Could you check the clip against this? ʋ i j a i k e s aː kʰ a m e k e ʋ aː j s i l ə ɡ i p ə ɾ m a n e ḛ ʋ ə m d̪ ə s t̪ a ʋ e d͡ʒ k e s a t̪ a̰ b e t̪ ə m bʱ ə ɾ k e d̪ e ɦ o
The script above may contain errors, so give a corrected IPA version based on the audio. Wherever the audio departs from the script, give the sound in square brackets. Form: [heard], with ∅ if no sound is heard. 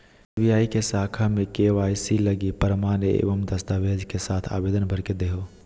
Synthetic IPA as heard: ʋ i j a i k e s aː kʰ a m e k e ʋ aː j s i l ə ɡ i p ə ɾ m a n e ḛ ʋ ə m d̪ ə s t̪ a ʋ e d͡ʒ k e s a [t̪ʰ] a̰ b e [d̪] ə [n] bʱ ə ɾ k e d̪ e ɦ o